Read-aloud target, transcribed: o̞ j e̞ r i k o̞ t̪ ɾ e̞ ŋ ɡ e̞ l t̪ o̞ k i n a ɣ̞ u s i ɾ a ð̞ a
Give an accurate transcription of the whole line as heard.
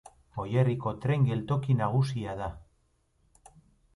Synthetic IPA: o̞ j e̞ r i k o̞ t̪ ɾ e̞ ŋ ɡ e̞ l t̪ o̞ k i n a ɣ̞ u s i a ð̞ a